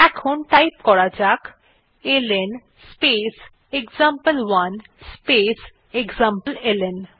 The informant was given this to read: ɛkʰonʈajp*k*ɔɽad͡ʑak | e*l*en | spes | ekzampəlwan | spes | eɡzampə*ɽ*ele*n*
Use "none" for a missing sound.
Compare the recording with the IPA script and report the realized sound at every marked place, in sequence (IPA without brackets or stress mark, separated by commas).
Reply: k, l, l, n